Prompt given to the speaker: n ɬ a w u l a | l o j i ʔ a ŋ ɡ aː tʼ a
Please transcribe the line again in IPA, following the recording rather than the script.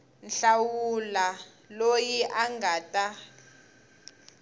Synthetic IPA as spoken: n ɬ a w u l a | l o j i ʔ a ŋ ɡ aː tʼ a